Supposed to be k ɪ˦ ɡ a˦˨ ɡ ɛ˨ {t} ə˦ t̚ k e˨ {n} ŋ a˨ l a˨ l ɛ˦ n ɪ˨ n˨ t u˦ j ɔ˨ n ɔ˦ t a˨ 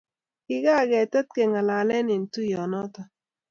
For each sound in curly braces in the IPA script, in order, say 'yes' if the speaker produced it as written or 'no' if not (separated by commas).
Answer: yes, no